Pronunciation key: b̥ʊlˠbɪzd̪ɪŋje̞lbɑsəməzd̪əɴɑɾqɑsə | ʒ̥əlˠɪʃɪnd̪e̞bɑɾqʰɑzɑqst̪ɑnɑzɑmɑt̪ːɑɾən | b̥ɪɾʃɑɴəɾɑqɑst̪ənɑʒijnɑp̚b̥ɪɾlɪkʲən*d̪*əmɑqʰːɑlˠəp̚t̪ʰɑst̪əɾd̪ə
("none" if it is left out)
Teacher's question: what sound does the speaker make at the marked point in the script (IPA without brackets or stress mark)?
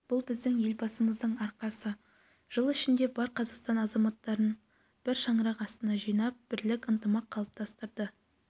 t̪